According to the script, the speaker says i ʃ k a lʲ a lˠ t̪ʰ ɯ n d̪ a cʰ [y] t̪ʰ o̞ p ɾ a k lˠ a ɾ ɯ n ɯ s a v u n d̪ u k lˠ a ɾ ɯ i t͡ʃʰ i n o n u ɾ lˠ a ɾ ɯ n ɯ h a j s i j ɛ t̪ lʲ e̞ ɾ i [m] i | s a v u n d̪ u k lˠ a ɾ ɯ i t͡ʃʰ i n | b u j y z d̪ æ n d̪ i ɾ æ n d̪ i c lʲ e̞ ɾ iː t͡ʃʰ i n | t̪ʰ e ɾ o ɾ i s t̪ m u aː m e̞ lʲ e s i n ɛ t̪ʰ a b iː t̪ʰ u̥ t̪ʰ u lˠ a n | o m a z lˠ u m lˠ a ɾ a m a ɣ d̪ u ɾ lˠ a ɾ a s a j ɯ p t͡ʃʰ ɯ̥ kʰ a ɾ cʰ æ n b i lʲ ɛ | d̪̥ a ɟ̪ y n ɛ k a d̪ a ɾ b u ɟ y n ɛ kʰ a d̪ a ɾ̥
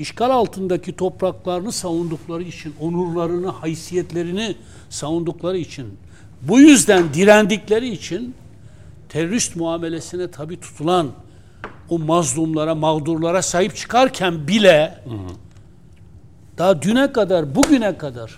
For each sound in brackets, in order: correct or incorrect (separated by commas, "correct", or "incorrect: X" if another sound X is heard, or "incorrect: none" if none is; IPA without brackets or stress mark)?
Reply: incorrect: i, incorrect: n